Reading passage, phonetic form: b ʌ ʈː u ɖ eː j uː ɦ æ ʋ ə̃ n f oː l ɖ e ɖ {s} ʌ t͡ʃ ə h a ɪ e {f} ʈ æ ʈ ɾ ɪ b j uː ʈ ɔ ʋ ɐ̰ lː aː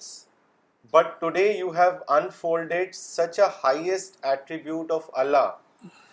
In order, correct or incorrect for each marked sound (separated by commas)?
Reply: correct, incorrect